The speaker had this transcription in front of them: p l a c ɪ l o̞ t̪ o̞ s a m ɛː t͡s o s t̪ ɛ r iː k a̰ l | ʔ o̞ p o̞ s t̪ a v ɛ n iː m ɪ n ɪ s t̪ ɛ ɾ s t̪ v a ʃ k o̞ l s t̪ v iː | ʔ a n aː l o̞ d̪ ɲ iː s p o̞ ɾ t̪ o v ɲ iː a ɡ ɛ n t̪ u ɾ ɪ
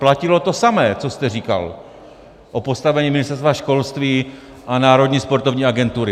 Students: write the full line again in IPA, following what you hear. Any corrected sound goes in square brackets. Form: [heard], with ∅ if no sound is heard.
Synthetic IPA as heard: p l a c ɪ l o̞ t̪ o̞ s a m ɛː t͡s o s t̪ ɛ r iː k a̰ l | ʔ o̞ p o̞ s t̪ a v ɛ [ɲ] iː m ɪ n ɪ s t̪ ɛ ɾ s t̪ v a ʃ k o̞ l s t̪ v iː | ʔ a n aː [ɾ] o̞ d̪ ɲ iː s p o̞ ɾ t̪ o v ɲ iː a ɡ ɛ n t̪ u ɾ ɪ